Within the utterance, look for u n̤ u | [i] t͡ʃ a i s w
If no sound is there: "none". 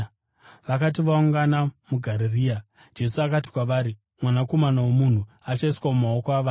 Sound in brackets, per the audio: a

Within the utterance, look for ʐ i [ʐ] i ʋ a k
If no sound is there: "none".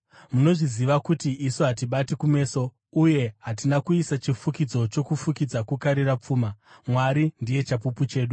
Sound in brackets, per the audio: z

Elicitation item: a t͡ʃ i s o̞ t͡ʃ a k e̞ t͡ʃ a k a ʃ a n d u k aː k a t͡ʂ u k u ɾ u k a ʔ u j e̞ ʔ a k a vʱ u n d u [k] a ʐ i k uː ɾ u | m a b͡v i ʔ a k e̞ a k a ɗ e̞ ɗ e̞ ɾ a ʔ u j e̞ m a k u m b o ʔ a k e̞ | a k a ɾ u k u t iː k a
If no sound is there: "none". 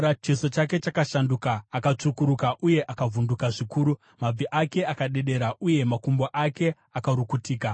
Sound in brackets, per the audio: k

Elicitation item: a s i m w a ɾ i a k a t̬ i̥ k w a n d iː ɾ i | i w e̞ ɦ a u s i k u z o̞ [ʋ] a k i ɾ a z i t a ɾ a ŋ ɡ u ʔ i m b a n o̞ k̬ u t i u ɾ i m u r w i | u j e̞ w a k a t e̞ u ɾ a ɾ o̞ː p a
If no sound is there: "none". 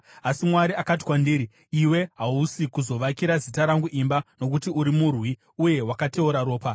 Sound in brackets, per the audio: ʋ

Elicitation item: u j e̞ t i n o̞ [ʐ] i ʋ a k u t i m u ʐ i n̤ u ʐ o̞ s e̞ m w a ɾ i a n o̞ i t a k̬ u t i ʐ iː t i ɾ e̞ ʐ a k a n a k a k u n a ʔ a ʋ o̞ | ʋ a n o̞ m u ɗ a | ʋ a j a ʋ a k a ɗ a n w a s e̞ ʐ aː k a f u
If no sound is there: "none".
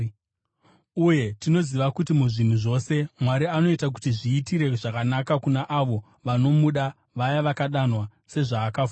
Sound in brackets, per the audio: z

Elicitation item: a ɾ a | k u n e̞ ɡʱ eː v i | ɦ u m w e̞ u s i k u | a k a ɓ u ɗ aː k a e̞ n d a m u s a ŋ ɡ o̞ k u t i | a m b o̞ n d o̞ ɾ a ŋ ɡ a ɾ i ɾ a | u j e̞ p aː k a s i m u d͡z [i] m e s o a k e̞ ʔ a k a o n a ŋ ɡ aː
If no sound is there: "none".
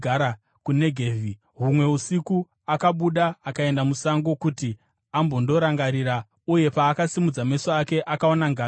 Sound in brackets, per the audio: a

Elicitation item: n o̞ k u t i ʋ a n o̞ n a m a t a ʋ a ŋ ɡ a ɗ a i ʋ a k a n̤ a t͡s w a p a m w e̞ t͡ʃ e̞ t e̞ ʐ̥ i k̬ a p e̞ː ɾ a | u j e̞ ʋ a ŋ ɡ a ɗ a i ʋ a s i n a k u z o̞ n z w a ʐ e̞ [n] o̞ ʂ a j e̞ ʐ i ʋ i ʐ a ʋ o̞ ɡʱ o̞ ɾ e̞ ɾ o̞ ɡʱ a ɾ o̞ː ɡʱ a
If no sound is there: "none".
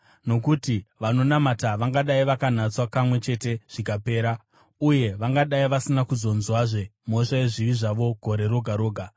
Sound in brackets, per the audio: m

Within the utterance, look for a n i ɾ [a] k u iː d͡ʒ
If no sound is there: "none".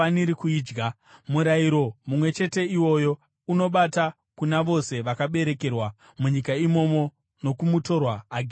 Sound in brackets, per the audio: i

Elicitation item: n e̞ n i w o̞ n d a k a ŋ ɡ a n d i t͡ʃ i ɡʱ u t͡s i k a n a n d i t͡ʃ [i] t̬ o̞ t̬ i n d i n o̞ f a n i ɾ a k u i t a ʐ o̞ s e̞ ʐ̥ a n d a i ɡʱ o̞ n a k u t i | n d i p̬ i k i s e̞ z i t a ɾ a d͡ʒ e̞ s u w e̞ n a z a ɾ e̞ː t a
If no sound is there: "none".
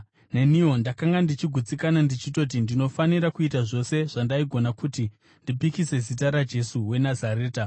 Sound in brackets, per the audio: i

